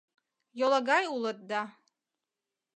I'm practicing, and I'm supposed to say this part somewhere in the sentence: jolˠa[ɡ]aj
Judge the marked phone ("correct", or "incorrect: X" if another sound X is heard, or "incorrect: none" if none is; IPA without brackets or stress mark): correct